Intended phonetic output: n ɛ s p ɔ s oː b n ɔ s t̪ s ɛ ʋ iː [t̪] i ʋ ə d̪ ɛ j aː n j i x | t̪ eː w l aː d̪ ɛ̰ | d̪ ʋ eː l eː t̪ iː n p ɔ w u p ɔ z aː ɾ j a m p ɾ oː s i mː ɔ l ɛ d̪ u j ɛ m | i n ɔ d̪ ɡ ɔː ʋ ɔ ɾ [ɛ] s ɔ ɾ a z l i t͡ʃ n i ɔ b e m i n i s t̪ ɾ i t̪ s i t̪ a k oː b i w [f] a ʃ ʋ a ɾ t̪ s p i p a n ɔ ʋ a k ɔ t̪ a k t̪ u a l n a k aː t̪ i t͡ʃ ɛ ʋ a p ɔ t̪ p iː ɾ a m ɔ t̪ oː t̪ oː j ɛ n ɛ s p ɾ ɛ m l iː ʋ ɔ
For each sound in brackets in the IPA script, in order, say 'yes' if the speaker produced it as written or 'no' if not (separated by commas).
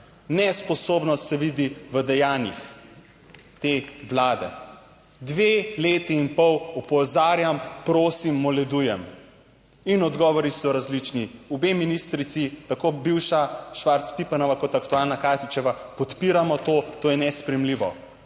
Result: no, no, no